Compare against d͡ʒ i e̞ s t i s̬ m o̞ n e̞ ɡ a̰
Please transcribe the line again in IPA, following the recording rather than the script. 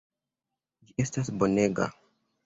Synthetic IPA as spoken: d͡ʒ i e̞ s t a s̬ b o̞ n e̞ ɡ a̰